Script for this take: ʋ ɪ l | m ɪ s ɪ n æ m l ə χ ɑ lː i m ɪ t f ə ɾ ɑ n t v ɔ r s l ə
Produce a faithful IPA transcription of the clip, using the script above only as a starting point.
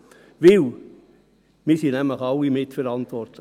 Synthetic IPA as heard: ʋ ɪ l | m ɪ s i n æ m l ə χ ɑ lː i m ɪ t f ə ɾ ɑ n t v ɔ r t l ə

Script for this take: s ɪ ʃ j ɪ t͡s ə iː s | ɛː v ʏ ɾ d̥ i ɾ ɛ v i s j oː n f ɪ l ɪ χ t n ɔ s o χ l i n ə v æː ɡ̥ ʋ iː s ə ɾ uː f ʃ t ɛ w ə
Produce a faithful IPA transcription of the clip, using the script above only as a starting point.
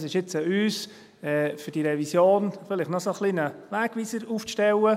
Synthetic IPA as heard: s ɪ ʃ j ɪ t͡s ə yː s | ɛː f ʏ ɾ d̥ i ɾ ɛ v i s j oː n f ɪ l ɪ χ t n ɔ s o χ l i n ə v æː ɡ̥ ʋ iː s ə ɾ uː f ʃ t ɛ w ə

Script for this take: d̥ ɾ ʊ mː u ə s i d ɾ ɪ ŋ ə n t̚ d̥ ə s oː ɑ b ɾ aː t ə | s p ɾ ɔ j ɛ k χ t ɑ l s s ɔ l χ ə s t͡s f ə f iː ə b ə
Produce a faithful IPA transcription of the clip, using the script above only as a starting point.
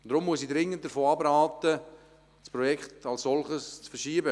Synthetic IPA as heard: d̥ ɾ ʊ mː u ə s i d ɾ ɪ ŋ ə n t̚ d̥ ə f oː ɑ b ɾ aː t ə | s p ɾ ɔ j ɛ k χ t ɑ l s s ɔ l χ ə s t͡s f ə ʃ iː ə b ə

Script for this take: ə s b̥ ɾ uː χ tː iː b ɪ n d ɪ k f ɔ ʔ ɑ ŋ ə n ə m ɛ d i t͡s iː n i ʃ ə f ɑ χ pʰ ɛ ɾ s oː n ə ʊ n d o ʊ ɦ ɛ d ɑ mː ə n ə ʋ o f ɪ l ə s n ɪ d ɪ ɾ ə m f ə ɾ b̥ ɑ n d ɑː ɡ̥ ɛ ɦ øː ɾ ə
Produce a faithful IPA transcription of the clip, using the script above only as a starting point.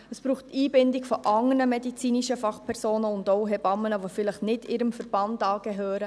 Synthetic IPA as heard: ə s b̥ ɾ uː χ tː iː b ɪ n d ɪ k f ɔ ʔ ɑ ŋ ə n ə m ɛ d i t͡s iː n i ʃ ə f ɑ χ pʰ ɛ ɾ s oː n ə ʊ n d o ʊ ɦ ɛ b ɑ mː ə n ə ʋ o f ɪ l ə χ n ɪ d ɪ ɾ ə m f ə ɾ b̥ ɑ n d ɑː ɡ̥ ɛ ɦ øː ɾ ə

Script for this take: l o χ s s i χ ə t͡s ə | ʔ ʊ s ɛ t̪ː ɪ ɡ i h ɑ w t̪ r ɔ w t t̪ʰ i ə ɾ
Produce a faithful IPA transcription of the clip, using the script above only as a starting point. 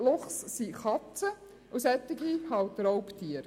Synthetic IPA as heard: l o χ s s i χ ɑ t͡s ə | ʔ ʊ s ɛ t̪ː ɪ ɡ i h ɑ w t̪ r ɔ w p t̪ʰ i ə ɾ

